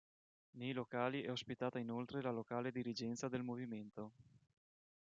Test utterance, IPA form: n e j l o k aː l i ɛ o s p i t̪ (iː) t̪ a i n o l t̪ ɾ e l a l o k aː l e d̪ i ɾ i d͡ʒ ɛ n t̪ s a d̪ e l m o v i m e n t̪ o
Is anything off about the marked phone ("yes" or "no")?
yes